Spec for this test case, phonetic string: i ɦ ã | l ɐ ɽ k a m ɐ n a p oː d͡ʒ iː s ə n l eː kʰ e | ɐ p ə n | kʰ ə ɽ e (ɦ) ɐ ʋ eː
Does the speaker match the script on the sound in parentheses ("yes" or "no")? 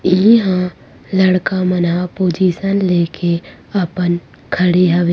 yes